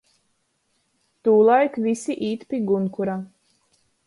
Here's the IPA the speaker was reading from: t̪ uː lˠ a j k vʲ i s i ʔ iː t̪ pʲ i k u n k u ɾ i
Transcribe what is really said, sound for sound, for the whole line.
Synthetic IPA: t̪ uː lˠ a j k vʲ i s i ʔ iː t̪ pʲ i ɡ u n k u ɾ a